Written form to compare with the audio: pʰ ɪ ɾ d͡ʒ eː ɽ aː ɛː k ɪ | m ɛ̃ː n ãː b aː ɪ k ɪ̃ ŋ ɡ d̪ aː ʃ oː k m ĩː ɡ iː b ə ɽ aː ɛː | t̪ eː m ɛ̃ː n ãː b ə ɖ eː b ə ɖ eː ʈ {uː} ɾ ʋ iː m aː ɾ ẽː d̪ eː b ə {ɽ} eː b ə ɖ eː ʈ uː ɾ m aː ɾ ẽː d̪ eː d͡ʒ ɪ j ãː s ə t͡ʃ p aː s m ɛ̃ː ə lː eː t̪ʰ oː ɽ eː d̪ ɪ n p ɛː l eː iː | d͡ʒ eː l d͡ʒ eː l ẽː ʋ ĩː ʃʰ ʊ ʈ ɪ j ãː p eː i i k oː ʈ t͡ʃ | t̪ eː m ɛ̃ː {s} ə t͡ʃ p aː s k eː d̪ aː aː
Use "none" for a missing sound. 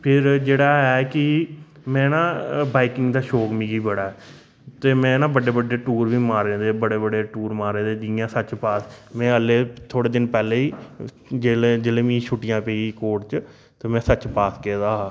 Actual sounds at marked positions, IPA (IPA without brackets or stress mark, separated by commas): uː, ɽ, s